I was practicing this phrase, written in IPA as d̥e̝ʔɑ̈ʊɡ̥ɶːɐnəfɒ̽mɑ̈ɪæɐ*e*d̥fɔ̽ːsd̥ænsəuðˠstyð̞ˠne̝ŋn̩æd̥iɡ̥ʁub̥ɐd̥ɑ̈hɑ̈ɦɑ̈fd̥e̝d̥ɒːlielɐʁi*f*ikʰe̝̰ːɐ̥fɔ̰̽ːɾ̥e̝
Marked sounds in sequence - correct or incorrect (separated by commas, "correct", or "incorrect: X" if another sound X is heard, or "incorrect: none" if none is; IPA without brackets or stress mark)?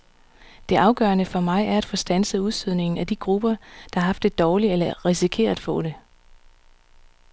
incorrect: æ, incorrect: s